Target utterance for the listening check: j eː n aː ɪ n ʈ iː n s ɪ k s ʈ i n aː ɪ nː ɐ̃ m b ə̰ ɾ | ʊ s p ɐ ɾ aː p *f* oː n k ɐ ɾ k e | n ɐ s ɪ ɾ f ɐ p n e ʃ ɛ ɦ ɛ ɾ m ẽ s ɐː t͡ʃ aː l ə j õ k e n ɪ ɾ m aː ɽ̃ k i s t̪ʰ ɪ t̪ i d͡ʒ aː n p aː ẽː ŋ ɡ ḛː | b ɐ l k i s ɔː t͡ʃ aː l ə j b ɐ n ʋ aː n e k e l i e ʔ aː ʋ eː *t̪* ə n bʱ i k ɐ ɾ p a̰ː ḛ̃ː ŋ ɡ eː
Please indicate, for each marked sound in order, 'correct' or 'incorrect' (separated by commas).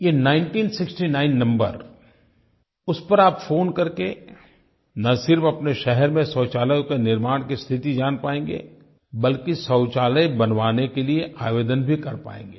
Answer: correct, incorrect